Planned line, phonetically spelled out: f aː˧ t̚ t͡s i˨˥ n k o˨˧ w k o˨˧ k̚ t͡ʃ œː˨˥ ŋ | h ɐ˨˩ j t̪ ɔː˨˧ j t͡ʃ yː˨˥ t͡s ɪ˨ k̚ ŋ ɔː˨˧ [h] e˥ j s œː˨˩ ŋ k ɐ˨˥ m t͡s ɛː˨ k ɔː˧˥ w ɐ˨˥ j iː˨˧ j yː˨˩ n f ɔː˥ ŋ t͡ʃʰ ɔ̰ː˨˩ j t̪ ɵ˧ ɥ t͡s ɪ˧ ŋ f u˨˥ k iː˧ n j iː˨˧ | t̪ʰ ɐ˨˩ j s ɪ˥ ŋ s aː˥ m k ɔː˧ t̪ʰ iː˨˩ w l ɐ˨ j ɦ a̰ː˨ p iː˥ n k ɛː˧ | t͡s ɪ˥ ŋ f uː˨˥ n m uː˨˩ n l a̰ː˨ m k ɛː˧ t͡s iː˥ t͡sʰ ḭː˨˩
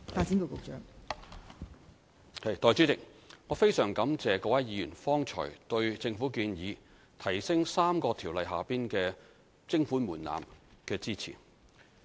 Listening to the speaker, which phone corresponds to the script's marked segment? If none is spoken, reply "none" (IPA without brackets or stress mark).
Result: f